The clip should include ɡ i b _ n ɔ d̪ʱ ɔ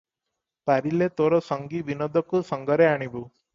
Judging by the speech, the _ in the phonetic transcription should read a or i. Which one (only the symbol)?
i